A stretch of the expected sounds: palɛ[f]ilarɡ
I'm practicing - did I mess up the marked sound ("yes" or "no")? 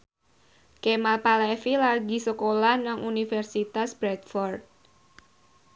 no